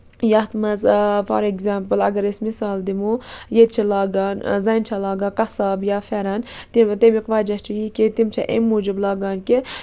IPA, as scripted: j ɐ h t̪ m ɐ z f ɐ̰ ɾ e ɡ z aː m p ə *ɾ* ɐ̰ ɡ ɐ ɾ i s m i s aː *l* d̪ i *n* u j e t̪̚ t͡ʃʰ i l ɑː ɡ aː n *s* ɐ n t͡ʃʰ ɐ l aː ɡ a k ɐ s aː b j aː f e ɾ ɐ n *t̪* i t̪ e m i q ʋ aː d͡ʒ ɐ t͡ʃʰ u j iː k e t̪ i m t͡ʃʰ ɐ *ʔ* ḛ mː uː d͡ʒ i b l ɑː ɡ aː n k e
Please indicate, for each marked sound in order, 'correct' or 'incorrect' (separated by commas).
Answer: incorrect, correct, incorrect, incorrect, correct, correct